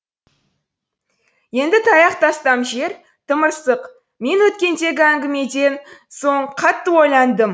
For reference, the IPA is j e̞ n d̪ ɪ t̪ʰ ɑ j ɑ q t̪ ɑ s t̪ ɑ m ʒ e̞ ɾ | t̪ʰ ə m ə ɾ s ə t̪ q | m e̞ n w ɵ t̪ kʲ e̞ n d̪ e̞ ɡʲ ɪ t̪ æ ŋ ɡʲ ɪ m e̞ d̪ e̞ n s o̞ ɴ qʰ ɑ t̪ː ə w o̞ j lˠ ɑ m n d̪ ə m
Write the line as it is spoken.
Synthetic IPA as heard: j e̞ n d̪ ɪ t̪ʰ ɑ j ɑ q t̪ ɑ s t̪ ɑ m ʒ e̞ ɾ | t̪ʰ ə m ə ɾ s ə q | m e̞ n w ɵ t̪ kʲ e̞ n d̪ e̞ ɡʲ ɪ æ ŋ ɡʲ ɪ m e̞ d̪ e̞ n s o̞ ɴ qʰ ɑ t̪ː ə w o̞ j lˠ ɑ n d̪ ə m